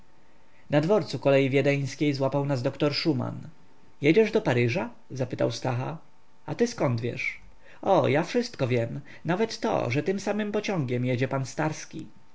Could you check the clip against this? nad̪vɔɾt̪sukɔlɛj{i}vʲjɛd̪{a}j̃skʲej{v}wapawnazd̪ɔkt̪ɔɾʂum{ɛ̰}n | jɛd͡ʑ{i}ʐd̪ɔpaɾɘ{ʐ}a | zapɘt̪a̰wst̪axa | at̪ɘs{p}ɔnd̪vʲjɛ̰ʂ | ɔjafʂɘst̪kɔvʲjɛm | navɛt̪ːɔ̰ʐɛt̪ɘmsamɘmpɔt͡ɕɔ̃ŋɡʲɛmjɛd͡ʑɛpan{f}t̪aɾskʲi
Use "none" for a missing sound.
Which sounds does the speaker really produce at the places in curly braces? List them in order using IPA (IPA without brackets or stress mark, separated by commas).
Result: i, ɛ, z, a̰, ɛ, ʐ, k, s